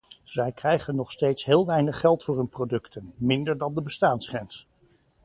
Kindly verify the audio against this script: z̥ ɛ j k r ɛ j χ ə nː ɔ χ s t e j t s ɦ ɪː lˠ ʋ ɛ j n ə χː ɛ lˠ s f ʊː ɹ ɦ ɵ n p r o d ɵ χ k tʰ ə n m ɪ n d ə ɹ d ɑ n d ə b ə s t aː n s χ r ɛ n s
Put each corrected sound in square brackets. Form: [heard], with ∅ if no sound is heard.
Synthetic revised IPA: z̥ ɛ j k r ɛ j χ ə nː ɔ χ s t e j t s ɦ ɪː lˠ ʋ ɛ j n ə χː ɛ lˠ [t] f ʊː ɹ ɦ ɵ n p r o d ɵ [∅] k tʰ ə n m ɪ n d ə ɹ d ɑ n d ə b ə s t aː n s χ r ɛ n s